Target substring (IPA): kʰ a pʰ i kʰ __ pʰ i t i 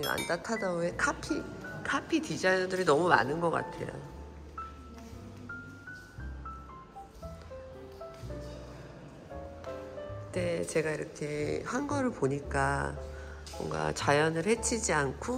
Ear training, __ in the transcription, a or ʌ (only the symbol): a